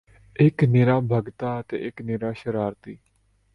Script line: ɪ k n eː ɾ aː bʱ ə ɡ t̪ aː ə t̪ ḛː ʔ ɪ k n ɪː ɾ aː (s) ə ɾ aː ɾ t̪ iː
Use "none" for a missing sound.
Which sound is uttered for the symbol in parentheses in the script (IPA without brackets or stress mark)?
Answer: ʃ